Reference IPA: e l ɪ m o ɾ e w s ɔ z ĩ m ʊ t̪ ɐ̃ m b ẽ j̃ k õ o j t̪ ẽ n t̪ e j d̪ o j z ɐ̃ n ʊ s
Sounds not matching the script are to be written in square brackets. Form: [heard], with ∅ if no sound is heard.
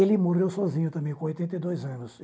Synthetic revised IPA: e l ɪ m o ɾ e w s ɔ z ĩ [ɲ] ʊ t̪ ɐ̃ m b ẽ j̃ k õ o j t̪ ẽ n t̪ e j d̪ o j z ɐ̃ n ʊ s